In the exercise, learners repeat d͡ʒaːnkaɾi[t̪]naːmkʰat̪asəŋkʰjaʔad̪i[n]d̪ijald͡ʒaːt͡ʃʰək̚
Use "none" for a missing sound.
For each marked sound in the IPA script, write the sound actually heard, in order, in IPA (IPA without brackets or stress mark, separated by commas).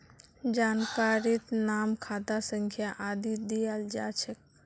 t̪, none